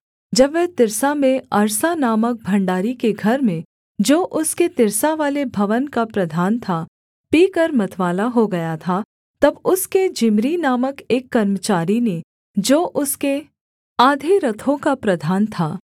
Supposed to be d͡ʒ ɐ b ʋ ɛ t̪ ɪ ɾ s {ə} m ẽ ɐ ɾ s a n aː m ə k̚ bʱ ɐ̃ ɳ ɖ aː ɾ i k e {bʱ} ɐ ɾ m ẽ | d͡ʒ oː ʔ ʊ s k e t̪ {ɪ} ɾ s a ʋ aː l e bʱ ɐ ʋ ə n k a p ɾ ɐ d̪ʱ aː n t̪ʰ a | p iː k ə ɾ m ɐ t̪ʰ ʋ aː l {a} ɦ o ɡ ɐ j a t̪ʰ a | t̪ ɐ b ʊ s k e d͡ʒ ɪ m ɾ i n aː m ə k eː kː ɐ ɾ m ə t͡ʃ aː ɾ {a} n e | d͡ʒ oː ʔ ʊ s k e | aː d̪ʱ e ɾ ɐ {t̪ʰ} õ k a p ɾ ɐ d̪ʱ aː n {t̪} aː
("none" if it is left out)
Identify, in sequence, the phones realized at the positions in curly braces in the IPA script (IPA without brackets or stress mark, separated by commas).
a, ɡʱ, ɪ, a, i, t̪ʰ, t̪ʰ